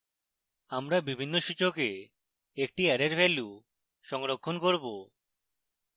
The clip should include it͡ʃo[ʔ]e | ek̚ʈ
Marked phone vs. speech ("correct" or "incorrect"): incorrect